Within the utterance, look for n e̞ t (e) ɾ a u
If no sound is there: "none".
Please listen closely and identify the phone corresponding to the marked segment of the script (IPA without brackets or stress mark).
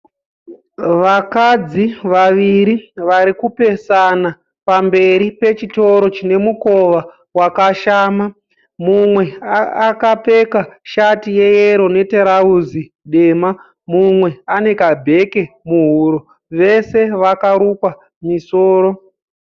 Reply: e